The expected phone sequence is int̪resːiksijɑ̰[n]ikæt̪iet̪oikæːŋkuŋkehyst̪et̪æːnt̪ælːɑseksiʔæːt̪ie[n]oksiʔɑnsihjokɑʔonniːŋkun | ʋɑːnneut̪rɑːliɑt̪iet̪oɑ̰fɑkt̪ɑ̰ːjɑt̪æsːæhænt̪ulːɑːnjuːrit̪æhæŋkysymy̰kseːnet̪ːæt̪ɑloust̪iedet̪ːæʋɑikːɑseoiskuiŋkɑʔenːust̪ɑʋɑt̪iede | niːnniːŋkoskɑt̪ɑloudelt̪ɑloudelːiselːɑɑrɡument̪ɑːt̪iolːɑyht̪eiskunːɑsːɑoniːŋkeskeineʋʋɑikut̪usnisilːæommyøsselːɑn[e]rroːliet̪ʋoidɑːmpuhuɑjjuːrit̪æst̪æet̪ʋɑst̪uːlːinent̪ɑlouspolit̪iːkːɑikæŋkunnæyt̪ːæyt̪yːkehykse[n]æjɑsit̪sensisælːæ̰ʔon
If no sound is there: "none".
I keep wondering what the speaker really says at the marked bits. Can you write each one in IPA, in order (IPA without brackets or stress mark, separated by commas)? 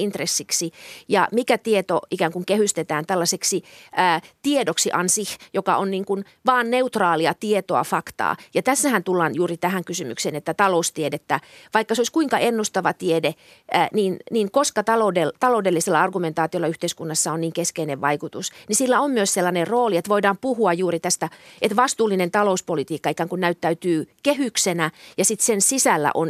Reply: m, d, e, n